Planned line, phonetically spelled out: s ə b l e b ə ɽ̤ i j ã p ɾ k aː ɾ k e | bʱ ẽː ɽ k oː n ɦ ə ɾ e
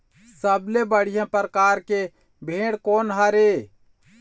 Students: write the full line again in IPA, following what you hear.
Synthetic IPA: s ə b l e b ə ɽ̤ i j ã p ɾ k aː ɾ k e | bʱ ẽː ɽ k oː n ɦ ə ɾ e

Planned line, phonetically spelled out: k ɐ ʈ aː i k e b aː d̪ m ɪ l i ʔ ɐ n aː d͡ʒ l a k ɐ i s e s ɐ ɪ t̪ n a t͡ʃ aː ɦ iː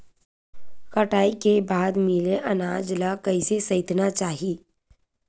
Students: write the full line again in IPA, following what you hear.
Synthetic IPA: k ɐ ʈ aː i k e b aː d̪ m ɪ l e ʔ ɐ n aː d͡ʒ l a k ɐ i s e s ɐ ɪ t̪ n a t͡ʃ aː ɦ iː

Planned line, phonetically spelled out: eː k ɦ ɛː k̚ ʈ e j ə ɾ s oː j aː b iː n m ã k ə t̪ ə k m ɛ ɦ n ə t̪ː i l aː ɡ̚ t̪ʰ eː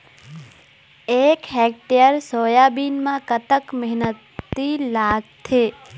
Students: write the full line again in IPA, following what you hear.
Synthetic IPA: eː k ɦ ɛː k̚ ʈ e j ə ɾ s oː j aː b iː n m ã k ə t̪ ə k m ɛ ɦ n ə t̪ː i l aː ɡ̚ t̪ʰ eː

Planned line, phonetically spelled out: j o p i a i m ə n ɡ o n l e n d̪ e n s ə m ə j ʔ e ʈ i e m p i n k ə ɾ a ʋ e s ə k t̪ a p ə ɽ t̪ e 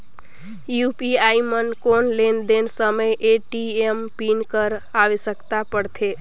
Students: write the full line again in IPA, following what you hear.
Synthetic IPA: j u p i a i m ə n k o n l e n d̪ e n s ə m ə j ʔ e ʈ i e m p i n k ə ɾ a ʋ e s ə k t̪ a p ə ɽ t̪ʰ e

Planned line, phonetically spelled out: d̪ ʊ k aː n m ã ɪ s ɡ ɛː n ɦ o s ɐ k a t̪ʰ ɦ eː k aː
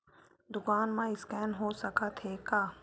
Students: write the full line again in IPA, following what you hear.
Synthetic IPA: d̪ ʊ k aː n m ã ɪ s k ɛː n ɦ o s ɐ k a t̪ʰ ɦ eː k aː

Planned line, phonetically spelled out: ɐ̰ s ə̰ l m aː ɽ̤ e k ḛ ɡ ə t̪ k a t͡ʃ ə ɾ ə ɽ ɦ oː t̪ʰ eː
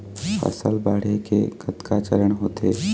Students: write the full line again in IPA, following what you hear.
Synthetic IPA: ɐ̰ s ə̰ l b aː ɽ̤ e k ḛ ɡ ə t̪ k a t͡ʃ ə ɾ ə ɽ ɦ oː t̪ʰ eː

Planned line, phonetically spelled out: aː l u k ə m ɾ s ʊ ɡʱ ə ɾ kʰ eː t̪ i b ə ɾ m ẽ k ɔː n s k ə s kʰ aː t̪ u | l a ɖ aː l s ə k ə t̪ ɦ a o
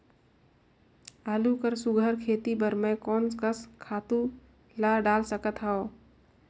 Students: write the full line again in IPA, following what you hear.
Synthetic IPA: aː l u k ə ɾ s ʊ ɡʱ ə ɾ kʰ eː t̪ i b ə ɾ m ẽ k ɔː n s k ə s kʰ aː t̪ u | l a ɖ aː l s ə k ə t̪ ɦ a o

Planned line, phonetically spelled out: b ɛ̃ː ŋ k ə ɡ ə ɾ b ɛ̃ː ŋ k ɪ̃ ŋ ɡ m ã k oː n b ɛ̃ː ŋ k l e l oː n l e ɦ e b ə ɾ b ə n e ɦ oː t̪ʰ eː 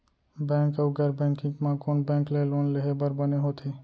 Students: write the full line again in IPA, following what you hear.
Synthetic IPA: b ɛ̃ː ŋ k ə ɡ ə ɾ b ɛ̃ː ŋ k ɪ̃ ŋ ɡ m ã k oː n b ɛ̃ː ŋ k l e l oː n l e ɦ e b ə ɾ b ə n e ɦ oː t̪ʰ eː

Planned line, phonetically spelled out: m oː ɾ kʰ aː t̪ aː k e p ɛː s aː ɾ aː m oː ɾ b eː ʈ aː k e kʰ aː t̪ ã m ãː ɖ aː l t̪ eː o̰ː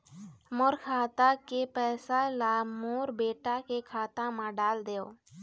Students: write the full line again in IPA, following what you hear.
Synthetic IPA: m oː ɾ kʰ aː t̪ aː k e p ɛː s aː l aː m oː ɾ b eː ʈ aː k e kʰ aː t̪ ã m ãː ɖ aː l d̪ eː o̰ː

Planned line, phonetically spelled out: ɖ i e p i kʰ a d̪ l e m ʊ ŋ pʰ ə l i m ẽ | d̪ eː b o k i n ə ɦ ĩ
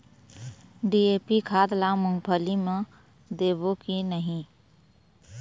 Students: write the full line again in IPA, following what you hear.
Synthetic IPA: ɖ i e p i kʰ a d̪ l a m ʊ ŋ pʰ ə l i m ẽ | d̪ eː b o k i n ə ɦ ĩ

